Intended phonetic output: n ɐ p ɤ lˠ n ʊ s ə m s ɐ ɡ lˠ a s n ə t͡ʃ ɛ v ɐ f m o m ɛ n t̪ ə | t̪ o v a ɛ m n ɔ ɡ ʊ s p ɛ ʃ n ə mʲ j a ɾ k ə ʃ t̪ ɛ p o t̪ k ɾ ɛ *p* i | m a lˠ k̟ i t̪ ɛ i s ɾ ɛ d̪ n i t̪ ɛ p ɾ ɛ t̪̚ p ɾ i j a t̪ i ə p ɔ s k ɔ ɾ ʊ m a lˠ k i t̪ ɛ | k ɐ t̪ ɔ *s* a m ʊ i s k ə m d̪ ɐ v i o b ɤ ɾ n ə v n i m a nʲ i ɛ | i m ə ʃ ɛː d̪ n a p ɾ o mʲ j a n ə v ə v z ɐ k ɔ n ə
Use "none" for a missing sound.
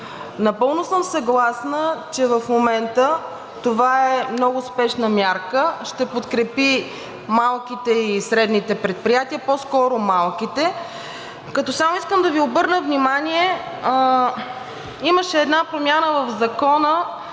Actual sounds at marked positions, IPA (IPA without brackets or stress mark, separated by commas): p, s